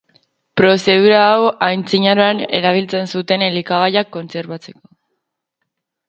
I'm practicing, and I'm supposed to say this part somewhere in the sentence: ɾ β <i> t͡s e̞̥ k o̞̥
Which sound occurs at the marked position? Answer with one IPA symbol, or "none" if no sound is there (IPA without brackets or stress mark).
a